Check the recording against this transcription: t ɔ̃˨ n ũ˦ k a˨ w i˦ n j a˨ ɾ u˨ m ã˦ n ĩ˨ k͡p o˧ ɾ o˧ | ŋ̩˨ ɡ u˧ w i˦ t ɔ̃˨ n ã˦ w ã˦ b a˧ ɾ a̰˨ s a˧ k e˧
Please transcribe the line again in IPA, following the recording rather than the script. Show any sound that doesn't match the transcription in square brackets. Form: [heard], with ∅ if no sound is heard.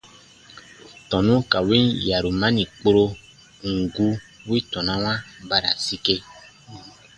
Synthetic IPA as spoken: t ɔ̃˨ n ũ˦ k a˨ w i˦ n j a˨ ɾ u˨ m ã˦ n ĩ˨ k͡p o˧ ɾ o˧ | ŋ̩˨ ɡ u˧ w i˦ t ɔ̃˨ n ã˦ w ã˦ b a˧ ɾ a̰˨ s [i˧] k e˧